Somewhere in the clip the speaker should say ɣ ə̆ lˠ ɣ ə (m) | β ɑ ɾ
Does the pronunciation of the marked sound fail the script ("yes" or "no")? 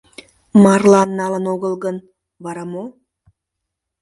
yes